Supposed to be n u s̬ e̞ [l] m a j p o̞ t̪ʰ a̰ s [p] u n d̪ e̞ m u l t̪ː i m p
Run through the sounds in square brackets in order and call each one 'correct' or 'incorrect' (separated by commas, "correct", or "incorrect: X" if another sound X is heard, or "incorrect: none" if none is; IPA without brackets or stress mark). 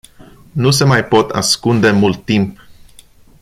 incorrect: none, incorrect: k